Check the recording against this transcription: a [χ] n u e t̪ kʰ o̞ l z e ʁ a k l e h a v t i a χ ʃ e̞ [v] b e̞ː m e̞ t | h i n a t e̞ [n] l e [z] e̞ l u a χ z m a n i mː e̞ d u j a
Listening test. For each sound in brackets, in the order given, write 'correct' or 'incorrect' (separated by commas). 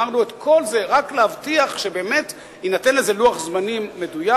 incorrect, incorrect, correct, correct